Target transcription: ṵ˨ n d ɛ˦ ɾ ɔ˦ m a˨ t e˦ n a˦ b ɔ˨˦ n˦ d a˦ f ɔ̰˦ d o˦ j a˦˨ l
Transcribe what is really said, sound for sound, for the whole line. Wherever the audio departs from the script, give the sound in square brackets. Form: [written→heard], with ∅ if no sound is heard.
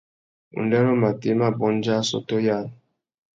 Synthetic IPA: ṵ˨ n d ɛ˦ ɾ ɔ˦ m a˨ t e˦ [n→m] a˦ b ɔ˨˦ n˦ [d→d͡ʒ] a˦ [f→s] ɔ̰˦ [d→t] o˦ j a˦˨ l